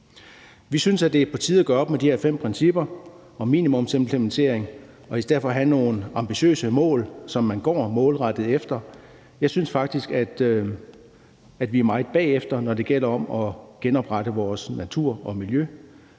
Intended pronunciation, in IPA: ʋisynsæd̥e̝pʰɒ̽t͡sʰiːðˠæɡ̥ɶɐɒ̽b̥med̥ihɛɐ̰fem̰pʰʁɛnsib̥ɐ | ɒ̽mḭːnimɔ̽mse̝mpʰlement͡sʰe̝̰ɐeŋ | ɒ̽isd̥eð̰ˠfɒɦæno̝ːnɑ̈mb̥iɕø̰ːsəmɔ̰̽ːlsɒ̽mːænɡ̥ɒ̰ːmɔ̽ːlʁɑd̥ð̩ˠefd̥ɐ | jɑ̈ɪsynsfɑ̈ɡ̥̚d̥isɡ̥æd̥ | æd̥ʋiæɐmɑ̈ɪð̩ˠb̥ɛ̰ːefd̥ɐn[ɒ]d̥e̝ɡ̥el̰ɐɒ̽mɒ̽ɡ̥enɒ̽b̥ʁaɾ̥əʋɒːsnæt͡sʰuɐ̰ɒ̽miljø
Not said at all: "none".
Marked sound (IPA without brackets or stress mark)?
ɒ